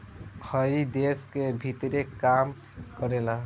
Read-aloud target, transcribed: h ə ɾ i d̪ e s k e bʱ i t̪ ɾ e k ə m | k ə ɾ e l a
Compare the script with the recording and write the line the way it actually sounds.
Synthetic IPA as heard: h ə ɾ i d̪ e s k e bʱ i t̪ ɾ e k a m | k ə ɾ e l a